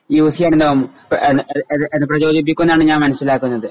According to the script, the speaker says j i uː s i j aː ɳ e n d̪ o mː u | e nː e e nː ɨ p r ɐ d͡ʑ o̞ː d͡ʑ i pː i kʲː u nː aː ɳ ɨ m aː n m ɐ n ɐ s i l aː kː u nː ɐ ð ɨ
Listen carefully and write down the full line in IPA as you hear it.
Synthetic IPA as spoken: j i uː s i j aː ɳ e n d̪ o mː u | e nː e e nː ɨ p r ɐ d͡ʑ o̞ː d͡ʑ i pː i kʲː u nː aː ɳ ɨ ɲ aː n m ɐ n ɐ s i l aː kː u nː ɐ ð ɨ